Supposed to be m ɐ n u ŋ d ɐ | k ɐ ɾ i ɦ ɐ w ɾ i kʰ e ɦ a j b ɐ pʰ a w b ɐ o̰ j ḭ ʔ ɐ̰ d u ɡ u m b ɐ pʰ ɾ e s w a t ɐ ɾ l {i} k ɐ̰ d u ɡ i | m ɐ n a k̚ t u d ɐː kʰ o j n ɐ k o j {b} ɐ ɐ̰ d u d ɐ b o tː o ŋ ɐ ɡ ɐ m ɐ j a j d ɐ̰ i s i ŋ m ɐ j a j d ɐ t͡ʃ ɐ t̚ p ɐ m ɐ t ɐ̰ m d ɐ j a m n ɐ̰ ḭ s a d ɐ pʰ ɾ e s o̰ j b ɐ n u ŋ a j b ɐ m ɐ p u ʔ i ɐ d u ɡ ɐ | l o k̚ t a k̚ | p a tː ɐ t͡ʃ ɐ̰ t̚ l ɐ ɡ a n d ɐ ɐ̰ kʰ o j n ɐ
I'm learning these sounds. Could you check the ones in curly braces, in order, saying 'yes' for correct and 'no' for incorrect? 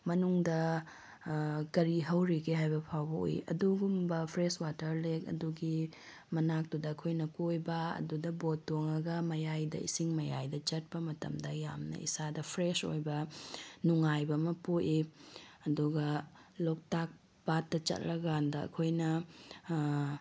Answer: no, yes

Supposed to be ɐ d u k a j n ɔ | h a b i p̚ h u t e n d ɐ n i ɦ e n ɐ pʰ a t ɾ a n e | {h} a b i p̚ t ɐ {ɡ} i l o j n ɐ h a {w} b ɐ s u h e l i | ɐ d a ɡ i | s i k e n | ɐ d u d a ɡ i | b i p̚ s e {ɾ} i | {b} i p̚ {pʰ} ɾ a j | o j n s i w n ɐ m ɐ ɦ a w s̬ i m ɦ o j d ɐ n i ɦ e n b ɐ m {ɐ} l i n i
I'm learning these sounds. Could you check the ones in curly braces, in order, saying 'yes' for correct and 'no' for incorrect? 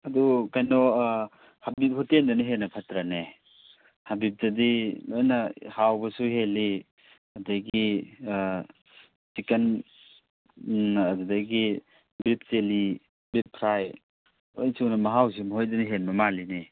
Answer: yes, no, yes, no, yes, yes, no

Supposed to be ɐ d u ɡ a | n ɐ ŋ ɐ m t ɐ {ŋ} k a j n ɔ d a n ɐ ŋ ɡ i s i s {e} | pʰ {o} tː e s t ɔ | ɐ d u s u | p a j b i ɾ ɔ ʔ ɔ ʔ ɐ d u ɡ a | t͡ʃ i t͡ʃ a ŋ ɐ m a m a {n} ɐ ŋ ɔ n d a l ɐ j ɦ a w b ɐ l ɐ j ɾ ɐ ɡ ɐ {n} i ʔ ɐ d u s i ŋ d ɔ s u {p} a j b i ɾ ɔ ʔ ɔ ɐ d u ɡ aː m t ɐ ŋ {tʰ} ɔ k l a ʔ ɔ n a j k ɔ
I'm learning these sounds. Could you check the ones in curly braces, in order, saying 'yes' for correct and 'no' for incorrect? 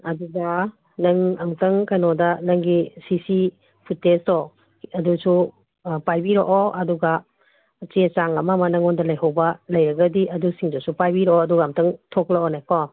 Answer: yes, no, no, yes, no, yes, yes

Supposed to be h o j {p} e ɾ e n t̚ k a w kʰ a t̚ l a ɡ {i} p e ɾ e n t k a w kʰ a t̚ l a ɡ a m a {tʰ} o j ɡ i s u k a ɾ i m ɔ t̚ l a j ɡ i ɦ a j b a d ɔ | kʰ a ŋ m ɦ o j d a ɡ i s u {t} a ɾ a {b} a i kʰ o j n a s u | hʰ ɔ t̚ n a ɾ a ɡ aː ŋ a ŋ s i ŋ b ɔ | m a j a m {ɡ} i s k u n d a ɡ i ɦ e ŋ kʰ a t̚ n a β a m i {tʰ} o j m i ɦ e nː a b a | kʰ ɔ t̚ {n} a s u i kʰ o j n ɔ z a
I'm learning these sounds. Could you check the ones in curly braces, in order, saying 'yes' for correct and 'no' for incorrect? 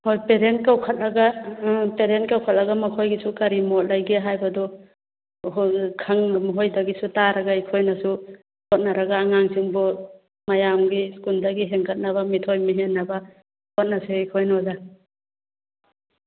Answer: yes, no, no, yes, no, yes, yes, yes

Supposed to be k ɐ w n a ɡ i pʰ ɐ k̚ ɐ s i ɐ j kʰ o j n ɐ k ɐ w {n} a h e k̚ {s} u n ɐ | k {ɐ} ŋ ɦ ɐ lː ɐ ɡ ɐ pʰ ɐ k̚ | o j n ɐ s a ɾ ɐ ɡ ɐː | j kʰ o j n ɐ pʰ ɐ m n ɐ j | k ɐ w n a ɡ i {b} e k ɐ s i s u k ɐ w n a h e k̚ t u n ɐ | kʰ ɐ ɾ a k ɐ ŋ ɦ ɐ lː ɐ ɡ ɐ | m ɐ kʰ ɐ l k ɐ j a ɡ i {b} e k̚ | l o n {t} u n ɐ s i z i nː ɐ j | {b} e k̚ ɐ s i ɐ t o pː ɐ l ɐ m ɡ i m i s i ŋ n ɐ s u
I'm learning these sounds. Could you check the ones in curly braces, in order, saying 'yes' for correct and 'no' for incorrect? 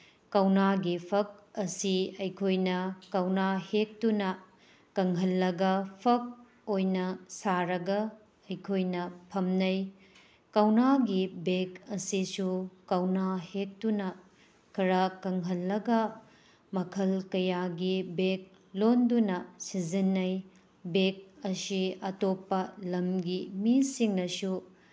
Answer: yes, no, yes, yes, yes, no, yes

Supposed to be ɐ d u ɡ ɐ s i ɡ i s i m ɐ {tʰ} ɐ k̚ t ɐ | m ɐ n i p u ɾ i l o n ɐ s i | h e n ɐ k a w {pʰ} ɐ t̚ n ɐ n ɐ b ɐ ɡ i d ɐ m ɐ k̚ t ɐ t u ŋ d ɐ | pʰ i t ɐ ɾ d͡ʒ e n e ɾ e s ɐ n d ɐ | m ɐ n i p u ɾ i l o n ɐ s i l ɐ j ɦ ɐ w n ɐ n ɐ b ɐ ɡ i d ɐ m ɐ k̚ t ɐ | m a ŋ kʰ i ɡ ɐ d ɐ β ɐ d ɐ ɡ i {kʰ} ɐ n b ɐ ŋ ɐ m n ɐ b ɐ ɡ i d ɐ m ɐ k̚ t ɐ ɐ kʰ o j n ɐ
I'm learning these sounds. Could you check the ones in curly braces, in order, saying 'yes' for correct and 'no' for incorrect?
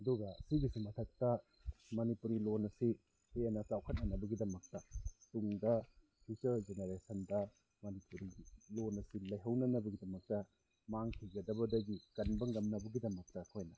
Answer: yes, no, no

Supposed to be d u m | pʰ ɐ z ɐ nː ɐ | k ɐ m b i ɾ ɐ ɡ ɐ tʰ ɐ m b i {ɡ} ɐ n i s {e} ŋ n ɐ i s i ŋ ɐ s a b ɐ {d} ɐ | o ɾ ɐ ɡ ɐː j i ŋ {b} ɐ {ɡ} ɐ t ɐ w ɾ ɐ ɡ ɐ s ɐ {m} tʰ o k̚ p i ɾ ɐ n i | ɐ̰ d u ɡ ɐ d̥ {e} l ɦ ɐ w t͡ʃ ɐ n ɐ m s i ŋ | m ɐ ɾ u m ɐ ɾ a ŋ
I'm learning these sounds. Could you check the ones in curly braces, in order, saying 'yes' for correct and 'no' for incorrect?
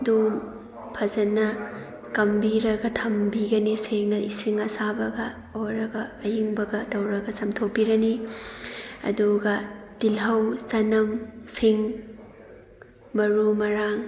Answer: yes, yes, no, yes, yes, yes, no

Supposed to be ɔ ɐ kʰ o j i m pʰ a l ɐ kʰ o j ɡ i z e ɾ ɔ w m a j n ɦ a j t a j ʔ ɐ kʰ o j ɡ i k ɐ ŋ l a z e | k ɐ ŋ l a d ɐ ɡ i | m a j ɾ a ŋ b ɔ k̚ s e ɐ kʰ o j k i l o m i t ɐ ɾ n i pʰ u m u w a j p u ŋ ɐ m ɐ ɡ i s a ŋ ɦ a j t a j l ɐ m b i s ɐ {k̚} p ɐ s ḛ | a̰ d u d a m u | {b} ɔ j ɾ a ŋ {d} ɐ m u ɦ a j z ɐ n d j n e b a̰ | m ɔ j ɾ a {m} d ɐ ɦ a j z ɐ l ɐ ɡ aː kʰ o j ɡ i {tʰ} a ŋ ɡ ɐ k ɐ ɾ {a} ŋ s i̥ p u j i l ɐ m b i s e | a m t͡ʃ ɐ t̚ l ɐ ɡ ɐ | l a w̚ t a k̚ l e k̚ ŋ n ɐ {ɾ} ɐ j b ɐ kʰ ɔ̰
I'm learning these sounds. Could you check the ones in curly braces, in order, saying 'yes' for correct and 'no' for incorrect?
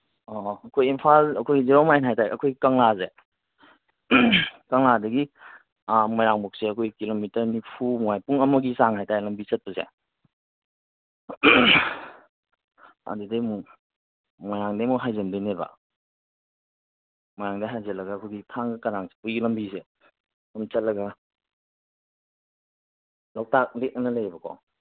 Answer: no, no, yes, no, yes, yes, no

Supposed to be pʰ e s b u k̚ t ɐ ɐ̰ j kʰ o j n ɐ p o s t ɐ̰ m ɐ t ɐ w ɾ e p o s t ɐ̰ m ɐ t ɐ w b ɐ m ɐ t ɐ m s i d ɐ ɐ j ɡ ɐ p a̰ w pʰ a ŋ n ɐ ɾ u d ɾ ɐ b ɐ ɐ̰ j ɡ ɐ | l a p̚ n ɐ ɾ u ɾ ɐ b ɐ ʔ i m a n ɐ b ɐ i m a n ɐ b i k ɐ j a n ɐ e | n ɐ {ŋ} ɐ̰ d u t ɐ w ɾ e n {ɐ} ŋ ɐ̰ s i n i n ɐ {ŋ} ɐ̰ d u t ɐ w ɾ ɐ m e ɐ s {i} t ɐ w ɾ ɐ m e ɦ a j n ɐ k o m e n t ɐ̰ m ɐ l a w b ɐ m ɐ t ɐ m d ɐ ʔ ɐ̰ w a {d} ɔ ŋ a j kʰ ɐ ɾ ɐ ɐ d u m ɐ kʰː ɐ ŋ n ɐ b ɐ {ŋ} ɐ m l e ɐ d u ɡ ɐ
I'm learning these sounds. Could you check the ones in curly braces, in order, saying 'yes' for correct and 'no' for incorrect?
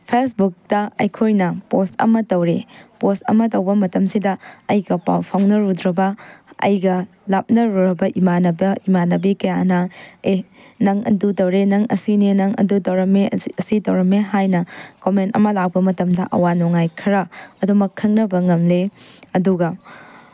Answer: yes, yes, yes, yes, no, yes

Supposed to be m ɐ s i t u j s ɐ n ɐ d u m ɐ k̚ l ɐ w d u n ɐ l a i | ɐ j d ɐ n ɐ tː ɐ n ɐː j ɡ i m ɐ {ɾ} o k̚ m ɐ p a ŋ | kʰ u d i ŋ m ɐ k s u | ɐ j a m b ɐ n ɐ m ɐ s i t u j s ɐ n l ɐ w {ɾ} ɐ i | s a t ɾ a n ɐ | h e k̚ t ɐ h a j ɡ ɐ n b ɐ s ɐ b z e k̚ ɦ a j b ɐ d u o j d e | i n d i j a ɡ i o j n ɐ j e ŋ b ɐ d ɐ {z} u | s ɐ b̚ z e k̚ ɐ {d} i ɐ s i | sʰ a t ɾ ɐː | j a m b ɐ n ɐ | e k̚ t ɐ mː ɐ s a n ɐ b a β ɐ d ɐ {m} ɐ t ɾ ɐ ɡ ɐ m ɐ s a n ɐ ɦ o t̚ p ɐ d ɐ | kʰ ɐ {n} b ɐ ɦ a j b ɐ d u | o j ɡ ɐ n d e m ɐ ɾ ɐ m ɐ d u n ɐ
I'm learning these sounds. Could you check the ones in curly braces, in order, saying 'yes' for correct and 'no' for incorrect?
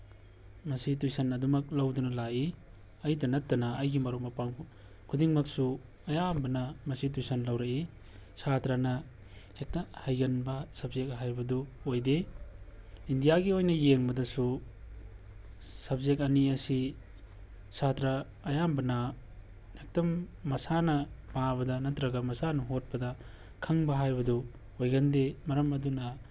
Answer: yes, yes, no, no, no, no

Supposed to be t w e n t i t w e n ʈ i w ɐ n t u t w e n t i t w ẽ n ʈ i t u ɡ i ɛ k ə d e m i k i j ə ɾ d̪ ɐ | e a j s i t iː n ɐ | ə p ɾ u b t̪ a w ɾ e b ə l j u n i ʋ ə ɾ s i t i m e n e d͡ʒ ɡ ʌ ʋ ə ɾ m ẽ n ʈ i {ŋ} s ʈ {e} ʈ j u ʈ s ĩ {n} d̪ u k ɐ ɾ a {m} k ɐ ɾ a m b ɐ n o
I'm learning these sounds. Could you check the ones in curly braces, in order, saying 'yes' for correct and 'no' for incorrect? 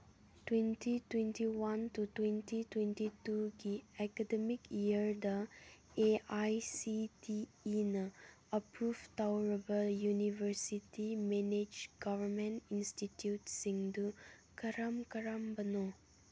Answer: no, no, no, yes

